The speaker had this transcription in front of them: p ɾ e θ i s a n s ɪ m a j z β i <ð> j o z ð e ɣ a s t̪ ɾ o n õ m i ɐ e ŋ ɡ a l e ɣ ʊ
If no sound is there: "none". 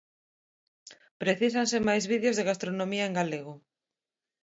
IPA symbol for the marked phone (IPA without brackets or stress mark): ð